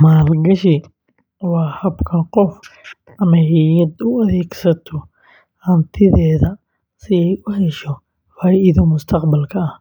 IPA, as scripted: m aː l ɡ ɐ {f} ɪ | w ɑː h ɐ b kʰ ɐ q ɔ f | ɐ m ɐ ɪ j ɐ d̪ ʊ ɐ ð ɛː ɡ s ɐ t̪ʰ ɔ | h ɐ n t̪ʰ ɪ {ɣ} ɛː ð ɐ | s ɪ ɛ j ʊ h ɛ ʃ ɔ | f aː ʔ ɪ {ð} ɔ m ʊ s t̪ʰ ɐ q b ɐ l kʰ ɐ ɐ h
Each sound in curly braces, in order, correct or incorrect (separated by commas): incorrect, incorrect, correct